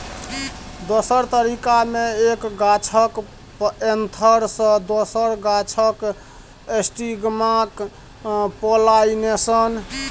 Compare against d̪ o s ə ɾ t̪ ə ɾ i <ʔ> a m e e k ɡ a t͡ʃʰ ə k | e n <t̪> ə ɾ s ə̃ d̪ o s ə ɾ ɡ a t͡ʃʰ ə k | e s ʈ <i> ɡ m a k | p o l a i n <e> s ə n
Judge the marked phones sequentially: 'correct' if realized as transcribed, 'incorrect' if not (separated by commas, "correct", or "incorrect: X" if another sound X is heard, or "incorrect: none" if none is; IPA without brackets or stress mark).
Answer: incorrect: k, incorrect: t̪ʰ, correct, correct